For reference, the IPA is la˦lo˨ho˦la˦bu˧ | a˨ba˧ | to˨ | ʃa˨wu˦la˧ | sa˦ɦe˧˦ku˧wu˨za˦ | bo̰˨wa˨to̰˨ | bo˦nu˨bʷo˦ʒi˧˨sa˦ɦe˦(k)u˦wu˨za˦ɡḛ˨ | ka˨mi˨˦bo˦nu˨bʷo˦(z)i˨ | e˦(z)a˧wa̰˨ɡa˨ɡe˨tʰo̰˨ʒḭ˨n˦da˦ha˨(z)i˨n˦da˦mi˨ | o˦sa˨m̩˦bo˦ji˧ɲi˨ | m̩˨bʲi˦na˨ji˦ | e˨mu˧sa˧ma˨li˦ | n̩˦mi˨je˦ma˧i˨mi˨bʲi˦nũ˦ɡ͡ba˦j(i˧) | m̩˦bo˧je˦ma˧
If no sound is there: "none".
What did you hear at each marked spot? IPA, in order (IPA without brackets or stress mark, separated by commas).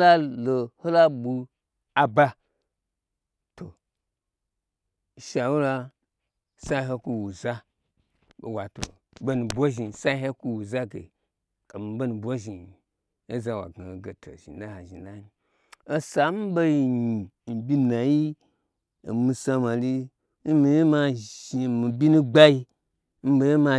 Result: k, ʒ, z, ʒ, i˧